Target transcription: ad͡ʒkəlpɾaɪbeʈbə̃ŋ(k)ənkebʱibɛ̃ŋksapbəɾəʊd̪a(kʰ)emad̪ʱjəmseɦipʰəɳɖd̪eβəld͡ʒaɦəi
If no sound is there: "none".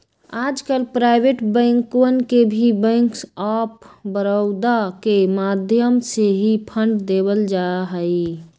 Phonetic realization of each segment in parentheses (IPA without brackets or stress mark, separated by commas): k, k